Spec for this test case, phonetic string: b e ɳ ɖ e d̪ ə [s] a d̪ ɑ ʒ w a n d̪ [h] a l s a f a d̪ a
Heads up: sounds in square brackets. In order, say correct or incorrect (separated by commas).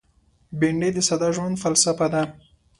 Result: correct, incorrect